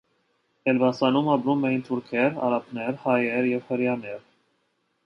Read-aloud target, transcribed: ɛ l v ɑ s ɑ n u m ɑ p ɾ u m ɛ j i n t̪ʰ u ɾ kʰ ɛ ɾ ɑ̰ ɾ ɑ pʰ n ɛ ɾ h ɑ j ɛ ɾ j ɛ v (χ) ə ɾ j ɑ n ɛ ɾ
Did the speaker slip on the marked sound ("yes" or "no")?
yes